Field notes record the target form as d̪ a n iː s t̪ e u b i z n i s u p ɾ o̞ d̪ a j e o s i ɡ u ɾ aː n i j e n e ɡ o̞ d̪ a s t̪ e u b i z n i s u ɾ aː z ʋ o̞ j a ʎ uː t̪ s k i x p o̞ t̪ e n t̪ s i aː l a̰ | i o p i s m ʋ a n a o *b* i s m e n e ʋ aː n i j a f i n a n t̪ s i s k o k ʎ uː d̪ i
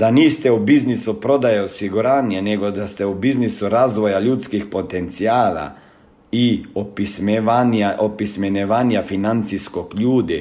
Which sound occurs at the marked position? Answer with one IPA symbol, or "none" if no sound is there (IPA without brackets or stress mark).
p